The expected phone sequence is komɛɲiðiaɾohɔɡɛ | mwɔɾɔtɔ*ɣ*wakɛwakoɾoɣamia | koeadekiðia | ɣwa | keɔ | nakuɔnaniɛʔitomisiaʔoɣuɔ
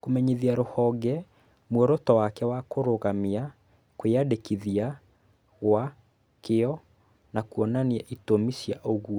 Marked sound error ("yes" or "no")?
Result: yes